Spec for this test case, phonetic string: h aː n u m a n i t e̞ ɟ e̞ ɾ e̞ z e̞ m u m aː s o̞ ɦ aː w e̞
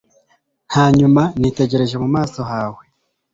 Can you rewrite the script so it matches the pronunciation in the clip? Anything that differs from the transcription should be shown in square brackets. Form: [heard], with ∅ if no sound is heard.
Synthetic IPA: h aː [ɲ] u m a n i t e̞ ɟ e̞ ɾ e̞ [ʒ] e̞ m u m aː s o̞ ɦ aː w e̞